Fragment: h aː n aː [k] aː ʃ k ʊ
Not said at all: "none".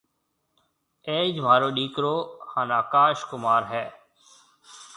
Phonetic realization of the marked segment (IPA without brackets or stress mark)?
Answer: k